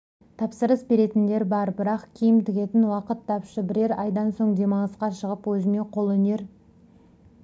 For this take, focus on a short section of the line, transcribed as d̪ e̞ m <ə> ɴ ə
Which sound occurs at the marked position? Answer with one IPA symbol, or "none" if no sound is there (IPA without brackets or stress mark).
ɑ